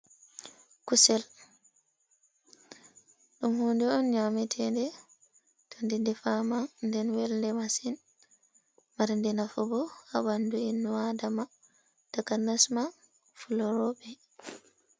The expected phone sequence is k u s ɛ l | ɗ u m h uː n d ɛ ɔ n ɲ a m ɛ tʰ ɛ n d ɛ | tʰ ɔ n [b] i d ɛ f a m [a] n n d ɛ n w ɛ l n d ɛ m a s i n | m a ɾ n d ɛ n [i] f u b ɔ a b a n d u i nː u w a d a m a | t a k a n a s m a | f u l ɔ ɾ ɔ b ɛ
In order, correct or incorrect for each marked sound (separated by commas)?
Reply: incorrect, correct, incorrect